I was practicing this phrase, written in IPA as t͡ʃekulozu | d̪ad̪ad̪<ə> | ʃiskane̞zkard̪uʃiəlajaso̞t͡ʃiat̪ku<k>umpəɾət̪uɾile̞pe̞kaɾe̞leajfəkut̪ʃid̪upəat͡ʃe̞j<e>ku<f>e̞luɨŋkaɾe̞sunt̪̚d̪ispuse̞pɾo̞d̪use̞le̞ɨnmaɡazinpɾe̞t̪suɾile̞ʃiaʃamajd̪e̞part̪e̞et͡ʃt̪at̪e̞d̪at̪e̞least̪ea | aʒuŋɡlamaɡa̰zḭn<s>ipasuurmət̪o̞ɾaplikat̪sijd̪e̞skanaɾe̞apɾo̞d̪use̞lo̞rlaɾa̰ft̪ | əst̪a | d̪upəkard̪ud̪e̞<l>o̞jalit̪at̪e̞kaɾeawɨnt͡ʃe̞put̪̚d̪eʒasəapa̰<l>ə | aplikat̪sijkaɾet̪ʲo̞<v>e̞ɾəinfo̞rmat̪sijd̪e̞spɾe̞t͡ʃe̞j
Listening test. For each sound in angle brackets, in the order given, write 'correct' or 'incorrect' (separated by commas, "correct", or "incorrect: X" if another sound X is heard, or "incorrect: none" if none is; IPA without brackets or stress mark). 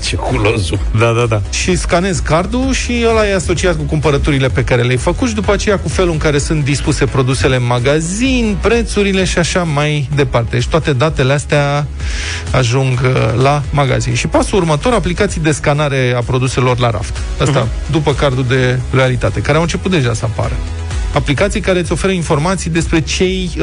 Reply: incorrect: a, correct, incorrect: a, correct, incorrect: ʃ, correct, incorrect: ɾ, incorrect: f